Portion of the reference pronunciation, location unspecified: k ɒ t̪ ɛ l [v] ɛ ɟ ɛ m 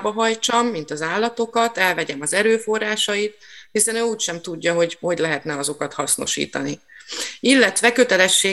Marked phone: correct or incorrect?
correct